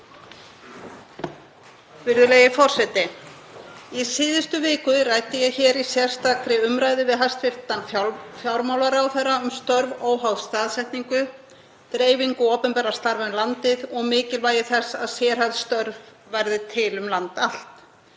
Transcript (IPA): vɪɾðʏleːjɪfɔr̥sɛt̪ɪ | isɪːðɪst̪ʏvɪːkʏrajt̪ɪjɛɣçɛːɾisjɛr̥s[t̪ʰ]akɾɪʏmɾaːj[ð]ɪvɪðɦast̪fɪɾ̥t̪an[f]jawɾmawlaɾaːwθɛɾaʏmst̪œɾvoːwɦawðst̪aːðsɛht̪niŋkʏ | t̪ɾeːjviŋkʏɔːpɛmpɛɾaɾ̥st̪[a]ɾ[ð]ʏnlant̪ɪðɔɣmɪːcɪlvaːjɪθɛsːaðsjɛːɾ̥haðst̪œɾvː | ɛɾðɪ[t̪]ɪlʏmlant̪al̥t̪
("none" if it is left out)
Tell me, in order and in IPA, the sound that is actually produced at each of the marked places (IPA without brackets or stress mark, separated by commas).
t̪, ð, f, a, v, t̪ʰ